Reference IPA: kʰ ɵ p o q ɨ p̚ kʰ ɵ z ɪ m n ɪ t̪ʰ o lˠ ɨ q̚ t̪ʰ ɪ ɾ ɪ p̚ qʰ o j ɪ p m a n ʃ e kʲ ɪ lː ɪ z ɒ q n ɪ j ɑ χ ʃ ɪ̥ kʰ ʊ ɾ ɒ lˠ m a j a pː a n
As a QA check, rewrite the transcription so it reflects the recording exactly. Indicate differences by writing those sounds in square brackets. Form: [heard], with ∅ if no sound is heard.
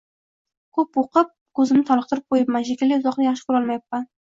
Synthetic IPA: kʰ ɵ p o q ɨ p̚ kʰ ɵ z ɪ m n ɪ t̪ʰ [ɒ] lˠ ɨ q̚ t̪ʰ ɪ ɾ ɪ p̚ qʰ o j ɪ p m a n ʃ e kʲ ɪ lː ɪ z ɒ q n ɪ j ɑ χ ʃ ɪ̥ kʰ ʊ ɾ ɒ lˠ m a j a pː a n